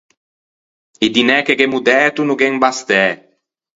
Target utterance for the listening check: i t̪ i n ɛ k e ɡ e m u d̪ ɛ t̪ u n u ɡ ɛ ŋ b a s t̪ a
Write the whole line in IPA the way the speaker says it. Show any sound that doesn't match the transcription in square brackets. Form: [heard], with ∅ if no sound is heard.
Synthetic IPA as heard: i [d̪] i n ɛ k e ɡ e m u d̪ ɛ t̪ u n u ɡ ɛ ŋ b a s t̪ [ɛ]